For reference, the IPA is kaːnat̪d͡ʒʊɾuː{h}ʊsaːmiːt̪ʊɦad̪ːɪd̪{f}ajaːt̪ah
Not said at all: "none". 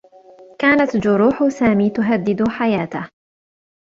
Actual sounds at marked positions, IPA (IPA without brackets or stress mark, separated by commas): ħ, ħ